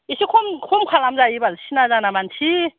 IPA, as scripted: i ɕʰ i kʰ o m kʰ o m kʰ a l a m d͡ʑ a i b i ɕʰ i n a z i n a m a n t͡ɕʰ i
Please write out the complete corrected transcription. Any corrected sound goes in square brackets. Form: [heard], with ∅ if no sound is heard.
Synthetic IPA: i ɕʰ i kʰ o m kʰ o m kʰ a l a m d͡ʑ a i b [a] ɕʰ i n a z [a] n a m a n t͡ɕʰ i